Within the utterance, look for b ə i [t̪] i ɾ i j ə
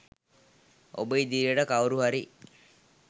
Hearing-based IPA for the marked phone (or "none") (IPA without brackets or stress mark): d̪